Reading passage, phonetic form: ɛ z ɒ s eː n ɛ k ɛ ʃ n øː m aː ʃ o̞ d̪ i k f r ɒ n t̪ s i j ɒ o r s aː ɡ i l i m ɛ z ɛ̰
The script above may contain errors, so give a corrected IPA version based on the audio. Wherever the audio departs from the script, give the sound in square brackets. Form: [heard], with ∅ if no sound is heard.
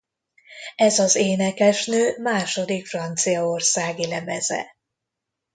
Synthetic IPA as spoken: ɛ z ɒ [z] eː n ɛ k ɛ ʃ n øː m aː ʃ o̞ d̪ i k f r ɒ n t̪ s i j ɒ o r s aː ɡ i l [ɛ] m ɛ z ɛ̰